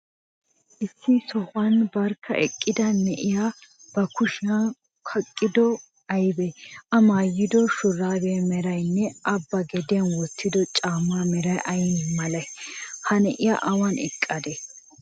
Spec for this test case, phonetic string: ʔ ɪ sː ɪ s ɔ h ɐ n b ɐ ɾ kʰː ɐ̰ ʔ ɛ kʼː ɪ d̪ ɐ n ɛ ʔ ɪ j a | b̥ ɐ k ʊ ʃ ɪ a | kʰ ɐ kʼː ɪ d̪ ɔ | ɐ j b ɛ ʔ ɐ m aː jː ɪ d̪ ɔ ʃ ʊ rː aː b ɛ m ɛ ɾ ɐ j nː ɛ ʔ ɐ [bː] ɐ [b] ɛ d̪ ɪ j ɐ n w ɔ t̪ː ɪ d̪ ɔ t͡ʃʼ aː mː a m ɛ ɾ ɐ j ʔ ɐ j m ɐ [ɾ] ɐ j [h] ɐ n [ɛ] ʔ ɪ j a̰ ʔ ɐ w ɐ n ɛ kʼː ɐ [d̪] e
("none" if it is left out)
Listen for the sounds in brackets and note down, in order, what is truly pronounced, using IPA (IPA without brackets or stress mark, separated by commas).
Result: bː, ɡ, l, h, ɛ, d̪